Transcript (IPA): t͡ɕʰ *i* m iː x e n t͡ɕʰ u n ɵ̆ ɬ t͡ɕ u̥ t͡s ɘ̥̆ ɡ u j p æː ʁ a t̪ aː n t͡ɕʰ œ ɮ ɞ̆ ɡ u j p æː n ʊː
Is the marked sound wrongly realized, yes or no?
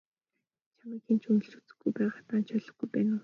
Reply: yes